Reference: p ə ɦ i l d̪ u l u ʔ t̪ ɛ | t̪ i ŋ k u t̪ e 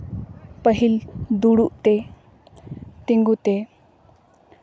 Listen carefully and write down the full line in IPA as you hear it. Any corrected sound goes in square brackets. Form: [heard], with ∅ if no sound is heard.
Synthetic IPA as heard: p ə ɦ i l d̪ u [ɽ] u ʔ t̪ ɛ | t̪ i ŋ [ɡ] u t̪ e